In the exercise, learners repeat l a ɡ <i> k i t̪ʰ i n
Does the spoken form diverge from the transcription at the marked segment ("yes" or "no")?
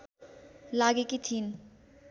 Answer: yes